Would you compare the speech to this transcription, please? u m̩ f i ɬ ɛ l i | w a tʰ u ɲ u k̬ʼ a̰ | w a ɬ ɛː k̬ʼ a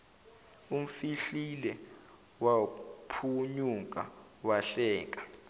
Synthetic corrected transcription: u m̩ f i ɬ i l ɛ | w a pʰ u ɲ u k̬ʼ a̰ | w a ɬ ɛː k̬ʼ a